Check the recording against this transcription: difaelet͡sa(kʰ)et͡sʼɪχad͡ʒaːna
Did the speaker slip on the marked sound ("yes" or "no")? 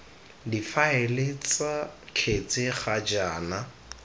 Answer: no